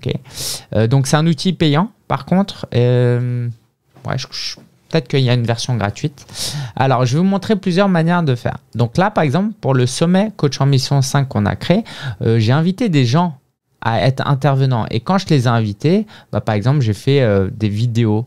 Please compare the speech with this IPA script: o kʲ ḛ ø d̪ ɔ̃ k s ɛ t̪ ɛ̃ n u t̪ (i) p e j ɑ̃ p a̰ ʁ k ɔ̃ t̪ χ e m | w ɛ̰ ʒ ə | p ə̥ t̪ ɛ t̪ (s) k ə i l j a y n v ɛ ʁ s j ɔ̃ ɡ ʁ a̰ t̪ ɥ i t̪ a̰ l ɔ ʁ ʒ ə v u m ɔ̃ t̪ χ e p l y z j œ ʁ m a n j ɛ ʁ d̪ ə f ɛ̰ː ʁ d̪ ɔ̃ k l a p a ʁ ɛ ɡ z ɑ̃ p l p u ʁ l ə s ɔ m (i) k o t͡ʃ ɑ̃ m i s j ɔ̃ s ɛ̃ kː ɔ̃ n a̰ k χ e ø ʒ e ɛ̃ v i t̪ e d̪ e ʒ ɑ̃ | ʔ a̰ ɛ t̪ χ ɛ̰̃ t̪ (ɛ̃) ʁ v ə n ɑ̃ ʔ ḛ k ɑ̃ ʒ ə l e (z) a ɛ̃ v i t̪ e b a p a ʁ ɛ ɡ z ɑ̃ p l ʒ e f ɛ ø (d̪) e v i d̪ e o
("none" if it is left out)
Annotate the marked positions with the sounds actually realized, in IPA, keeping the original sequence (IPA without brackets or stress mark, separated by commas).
i, χ, ɛ, ɛ, z, d̪